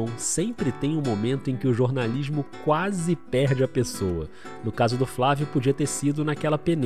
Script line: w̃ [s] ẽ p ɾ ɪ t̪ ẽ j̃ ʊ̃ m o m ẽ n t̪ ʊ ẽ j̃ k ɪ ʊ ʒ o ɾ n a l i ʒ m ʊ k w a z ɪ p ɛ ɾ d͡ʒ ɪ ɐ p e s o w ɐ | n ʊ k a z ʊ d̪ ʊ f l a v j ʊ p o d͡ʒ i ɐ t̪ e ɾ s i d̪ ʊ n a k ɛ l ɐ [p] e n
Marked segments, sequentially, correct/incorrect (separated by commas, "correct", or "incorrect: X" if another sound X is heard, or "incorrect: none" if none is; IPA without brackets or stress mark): correct, correct